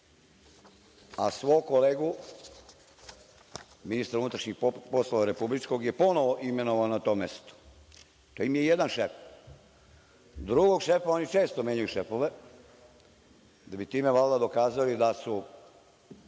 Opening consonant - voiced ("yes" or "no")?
no